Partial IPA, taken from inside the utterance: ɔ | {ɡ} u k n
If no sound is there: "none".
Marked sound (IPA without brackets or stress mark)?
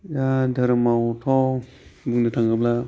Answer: b